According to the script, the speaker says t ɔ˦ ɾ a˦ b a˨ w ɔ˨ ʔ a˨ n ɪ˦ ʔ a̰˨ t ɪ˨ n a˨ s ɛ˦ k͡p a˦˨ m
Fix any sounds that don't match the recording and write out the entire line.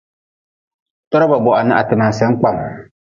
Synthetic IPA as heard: t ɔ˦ ɾ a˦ b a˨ b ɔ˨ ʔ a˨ n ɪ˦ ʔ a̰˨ t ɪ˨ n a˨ s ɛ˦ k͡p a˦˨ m